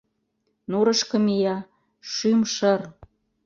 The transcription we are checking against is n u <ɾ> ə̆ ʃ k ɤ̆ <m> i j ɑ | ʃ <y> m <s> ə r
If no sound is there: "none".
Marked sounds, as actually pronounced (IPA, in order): ɾ, m, y, ʃ

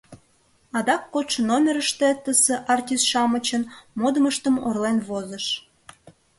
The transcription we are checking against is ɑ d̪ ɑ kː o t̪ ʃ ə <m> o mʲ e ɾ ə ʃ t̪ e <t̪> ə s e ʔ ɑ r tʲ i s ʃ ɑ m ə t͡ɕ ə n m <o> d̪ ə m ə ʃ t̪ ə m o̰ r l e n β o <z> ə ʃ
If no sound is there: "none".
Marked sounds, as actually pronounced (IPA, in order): n, t̪, o, z

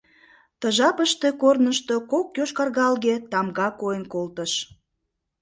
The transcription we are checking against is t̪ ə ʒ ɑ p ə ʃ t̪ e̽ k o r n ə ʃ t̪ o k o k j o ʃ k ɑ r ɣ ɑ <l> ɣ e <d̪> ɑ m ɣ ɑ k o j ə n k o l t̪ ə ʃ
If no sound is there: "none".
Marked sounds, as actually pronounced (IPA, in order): l, t̪

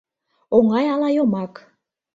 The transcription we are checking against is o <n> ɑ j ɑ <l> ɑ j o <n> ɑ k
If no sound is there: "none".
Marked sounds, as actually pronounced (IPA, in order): ŋ, l, m

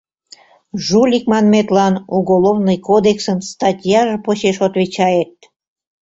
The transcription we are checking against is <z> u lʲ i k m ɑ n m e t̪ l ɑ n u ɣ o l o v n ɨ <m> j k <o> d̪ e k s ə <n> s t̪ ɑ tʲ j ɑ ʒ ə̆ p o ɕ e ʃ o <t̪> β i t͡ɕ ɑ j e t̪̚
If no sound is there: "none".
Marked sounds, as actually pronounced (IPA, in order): ʒ, none, o, n, t̪

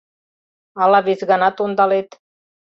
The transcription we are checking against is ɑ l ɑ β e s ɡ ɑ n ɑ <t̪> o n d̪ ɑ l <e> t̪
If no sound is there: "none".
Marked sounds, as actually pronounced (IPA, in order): t̪, e

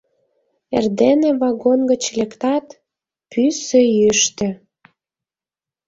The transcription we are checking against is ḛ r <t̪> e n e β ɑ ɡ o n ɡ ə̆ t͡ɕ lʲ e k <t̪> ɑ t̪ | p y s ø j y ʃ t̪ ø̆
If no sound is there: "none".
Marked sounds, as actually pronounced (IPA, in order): d̪, t̪

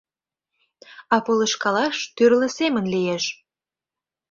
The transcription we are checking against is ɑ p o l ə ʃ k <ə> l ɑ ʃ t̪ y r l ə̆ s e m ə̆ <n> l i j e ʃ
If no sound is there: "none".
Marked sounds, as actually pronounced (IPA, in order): ɑ, n

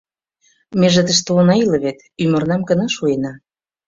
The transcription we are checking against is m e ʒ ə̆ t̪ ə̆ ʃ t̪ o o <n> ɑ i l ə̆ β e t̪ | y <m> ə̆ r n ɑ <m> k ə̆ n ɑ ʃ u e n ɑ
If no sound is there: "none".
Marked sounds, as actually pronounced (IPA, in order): n, m, m

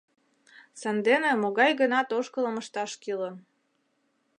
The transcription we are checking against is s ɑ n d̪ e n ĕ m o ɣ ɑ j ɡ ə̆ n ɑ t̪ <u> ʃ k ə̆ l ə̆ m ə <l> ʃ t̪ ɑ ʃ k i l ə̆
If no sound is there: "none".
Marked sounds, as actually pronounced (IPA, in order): o, none

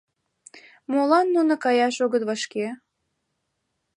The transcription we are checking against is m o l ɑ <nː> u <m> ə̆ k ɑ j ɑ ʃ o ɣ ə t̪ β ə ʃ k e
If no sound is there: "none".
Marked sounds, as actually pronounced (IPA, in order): nː, n

